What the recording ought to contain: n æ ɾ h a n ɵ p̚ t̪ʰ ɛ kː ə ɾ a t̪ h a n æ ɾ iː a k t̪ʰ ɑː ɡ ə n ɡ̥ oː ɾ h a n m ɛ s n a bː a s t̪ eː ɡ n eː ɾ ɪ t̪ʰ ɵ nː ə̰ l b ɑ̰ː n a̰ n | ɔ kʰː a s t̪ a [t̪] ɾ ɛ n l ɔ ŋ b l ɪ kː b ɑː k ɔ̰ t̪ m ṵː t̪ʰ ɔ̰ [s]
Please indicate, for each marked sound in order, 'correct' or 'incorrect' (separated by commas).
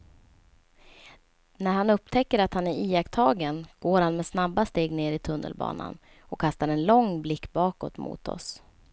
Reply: incorrect, correct